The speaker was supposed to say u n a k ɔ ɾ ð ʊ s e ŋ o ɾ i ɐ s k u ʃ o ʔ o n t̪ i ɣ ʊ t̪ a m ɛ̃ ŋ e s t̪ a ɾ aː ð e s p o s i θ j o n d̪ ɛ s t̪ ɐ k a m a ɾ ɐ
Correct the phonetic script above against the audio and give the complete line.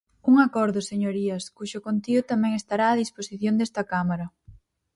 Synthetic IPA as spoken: u ŋ a k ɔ ɾ ð ʊ s e ɲ o ɾ i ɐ s k u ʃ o k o n t̪ i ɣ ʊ t̪ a m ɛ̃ ŋ e s t̪ a ɾ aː ð i s p o s i θ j o n d̪ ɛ s t̪ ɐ k a m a ɾ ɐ